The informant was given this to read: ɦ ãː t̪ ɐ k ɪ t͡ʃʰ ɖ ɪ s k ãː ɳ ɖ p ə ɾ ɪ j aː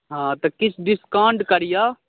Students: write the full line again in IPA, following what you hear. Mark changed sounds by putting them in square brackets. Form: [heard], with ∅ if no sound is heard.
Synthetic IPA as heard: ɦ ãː t̪ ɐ k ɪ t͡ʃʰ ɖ ɪ s k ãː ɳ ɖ [k] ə ɾ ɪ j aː